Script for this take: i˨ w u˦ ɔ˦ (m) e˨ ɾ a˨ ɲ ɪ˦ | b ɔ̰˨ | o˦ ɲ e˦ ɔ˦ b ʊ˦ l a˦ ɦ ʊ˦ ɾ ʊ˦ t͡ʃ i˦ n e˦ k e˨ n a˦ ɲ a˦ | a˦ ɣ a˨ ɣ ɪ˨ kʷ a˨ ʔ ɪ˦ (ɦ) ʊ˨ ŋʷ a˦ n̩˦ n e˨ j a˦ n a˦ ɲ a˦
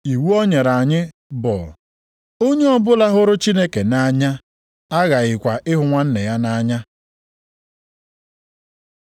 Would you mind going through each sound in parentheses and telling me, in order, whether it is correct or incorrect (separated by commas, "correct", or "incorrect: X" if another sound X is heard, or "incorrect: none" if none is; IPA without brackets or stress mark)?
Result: incorrect: ɲ, correct